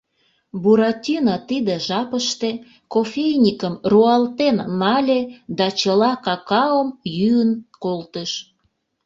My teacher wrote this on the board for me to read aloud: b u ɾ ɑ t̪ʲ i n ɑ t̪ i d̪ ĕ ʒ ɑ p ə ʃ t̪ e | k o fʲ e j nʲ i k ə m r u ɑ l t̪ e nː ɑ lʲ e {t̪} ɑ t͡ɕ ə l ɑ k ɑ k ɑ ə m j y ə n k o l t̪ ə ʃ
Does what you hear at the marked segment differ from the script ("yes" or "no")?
yes